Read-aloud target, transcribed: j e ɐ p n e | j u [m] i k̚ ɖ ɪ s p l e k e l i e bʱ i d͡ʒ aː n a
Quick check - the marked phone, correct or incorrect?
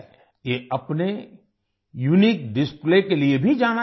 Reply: incorrect